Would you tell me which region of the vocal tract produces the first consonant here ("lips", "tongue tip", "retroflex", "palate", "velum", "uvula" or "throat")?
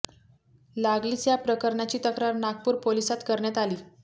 tongue tip